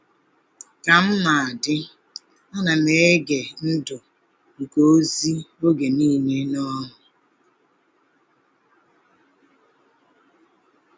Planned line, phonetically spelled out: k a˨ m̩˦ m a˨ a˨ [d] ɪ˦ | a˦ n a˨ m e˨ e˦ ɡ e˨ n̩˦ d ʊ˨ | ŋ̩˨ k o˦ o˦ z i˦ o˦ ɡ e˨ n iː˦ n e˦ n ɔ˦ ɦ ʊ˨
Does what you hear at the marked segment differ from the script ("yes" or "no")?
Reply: no